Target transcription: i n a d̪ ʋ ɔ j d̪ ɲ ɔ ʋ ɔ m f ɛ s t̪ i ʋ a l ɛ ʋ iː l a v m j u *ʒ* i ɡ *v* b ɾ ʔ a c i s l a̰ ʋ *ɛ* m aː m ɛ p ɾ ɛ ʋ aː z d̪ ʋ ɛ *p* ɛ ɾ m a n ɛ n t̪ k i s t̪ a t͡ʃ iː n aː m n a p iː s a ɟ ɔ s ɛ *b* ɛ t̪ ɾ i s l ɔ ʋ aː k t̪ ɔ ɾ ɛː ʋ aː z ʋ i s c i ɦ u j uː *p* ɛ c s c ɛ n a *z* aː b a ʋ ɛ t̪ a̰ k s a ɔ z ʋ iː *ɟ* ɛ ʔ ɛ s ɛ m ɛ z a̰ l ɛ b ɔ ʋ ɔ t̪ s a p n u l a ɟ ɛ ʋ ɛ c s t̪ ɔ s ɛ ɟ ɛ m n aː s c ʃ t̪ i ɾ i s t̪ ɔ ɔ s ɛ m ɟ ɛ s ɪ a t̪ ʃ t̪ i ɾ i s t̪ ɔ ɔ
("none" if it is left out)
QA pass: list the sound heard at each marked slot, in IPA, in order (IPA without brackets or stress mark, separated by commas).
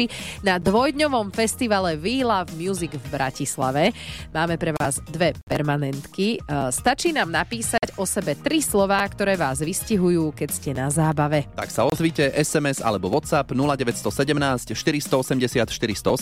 z, v, ɛ, p, b, k, z, c